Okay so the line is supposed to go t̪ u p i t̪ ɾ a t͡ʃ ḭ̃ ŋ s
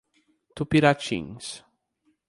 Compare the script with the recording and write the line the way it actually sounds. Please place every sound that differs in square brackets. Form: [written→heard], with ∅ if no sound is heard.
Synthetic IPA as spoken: t̪ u p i [t̪→∅] ɾ a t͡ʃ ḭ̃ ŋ s